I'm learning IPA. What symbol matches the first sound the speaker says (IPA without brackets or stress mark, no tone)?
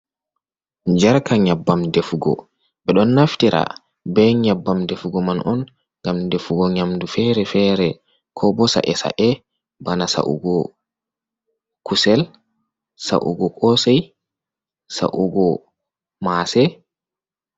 d͡ʒ